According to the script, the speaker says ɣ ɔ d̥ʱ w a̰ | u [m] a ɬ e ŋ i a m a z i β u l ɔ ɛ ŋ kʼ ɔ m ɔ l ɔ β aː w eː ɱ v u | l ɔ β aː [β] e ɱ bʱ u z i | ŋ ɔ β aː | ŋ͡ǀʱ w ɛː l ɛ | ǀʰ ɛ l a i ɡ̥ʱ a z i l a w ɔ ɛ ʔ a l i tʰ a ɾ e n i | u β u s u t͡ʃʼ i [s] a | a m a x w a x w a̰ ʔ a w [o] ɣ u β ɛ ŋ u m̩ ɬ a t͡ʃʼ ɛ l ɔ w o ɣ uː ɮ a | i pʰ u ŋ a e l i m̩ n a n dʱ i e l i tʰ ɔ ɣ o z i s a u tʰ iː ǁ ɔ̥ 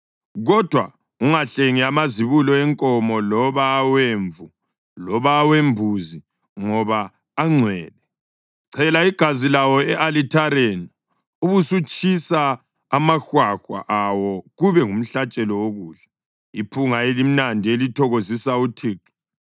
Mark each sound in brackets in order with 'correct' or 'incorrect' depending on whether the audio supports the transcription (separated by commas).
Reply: incorrect, incorrect, correct, incorrect